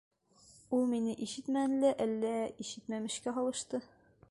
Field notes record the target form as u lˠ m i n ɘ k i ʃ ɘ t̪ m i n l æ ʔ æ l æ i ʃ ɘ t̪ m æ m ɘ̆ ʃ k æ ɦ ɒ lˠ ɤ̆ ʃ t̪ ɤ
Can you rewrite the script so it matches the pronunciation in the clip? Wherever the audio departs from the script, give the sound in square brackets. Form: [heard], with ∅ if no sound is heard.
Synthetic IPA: u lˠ m i n ɘ [ʔ] i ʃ ɘ t̪ m [æ] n l æ ʔ æ [lː] æ i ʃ ɘ t̪ m æ m ɘ̆ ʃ k æ ɦ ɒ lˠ ɤ̆ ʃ t̪ ɤ